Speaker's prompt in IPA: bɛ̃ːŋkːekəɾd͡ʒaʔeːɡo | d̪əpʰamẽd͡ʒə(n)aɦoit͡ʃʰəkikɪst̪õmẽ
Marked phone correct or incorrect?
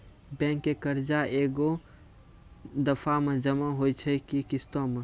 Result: incorrect